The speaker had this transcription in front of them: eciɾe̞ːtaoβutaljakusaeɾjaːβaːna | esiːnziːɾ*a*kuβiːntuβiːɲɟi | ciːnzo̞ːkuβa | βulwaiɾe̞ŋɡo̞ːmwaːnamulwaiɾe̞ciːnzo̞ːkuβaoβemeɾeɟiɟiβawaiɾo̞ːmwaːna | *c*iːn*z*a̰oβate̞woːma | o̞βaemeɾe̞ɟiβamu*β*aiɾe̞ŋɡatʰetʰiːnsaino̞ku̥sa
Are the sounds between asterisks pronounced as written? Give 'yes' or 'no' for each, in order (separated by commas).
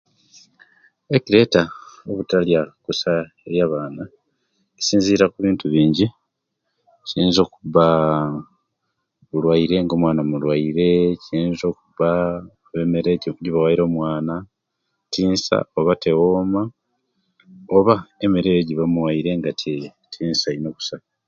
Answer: yes, no, no, no